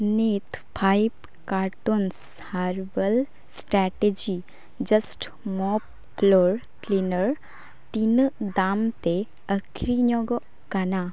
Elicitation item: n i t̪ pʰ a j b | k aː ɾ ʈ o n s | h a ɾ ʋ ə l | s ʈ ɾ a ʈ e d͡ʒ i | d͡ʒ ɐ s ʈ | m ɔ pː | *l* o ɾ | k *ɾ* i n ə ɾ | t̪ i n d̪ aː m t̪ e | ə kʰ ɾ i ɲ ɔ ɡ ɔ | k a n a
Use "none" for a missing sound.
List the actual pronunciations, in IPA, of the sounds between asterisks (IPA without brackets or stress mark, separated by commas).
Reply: l, l